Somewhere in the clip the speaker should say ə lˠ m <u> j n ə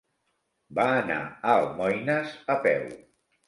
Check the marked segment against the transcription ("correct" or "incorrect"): incorrect